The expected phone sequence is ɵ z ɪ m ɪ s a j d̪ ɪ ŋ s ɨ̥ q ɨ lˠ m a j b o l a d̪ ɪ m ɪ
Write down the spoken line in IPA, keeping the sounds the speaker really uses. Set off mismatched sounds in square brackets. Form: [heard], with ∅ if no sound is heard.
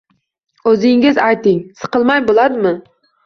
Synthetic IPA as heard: ɵ z ɪ [ŋ] ɪ [z] a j [t̪] ɪ ŋ s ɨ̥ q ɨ lˠ m a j b o l a d̪ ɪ m ɪ